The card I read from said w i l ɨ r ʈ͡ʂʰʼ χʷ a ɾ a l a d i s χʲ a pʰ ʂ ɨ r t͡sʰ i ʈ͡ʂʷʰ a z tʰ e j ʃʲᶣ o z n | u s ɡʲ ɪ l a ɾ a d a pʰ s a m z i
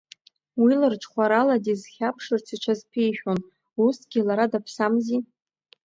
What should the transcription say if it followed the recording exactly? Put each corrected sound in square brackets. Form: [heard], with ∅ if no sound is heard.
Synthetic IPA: w i l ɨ r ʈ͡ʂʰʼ χʷ a ɾ a l a d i [z] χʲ a pʰ ʂ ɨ r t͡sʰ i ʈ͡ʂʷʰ a z [pʰ] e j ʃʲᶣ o [∅] n | u s ɡʲ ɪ l a ɾ a d a pʰ s a m z i